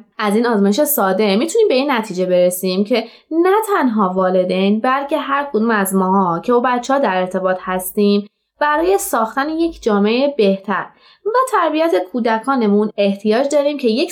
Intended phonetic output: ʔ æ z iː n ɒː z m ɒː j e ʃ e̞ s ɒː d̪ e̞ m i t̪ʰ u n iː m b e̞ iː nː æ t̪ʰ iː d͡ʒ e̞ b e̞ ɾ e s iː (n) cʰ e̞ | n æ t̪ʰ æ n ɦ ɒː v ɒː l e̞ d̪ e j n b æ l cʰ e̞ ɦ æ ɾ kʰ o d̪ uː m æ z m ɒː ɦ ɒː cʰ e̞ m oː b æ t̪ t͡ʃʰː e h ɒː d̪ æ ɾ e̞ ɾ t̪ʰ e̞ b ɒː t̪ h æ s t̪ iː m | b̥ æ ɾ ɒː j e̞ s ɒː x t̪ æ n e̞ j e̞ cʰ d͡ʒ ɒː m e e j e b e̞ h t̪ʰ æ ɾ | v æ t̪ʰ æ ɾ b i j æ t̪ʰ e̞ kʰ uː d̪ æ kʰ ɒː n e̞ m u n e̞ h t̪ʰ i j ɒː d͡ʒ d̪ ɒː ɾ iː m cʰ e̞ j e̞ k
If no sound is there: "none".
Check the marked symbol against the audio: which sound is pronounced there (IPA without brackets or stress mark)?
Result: m